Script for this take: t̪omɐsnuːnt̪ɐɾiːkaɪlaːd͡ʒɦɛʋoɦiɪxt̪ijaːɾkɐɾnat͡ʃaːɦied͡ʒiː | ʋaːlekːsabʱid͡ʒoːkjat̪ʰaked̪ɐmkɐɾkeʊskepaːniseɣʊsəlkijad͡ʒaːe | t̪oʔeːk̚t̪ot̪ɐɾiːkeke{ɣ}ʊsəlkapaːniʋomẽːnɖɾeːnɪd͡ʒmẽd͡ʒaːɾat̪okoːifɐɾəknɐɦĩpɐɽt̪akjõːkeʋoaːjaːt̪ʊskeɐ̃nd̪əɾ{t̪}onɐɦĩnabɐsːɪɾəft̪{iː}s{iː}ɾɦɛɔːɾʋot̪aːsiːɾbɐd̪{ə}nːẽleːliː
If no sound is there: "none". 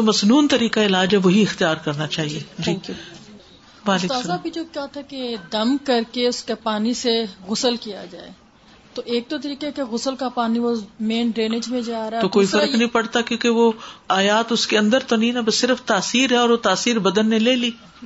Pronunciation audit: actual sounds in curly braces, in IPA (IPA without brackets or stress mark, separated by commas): ɣ, t̪, aː, iː, ə